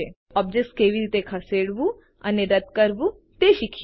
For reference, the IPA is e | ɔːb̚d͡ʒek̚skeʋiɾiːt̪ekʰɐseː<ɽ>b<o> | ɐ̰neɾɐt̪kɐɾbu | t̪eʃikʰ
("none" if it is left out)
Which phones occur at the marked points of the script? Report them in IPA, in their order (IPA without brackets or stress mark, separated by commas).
ɽ, u